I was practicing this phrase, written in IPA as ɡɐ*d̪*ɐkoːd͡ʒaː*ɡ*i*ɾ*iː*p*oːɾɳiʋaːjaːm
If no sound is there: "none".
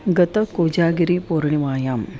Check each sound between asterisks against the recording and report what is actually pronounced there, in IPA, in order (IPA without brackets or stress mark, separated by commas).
t̪, ɡ, ɾ, p